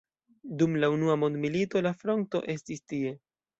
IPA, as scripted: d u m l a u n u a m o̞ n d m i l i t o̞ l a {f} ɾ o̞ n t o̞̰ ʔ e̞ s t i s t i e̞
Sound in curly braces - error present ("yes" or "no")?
no